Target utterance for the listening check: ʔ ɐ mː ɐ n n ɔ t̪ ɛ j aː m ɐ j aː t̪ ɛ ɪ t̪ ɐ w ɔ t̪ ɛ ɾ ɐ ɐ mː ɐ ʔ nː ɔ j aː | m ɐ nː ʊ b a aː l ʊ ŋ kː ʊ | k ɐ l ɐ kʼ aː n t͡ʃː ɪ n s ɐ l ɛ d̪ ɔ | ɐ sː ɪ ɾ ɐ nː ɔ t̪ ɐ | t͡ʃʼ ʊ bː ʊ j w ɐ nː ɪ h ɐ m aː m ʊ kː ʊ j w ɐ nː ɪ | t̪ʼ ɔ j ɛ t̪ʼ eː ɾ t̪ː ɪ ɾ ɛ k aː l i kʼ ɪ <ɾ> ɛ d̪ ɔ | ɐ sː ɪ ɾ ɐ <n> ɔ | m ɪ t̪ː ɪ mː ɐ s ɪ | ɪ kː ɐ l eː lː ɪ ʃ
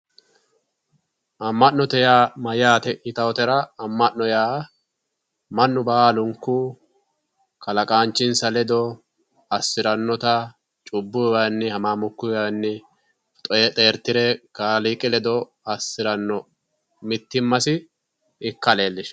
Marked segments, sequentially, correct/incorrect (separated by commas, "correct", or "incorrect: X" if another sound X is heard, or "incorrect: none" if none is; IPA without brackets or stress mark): incorrect: l, incorrect: nː